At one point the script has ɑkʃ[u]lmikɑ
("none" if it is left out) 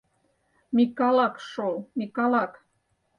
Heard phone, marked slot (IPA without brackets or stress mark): o